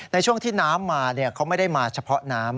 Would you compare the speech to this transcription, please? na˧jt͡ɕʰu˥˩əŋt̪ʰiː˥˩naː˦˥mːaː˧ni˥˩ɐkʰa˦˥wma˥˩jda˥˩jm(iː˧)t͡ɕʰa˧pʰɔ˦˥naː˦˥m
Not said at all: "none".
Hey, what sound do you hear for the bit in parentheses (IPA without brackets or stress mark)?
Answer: aː˧